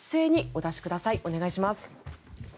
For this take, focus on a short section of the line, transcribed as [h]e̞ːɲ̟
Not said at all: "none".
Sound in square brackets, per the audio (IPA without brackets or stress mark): s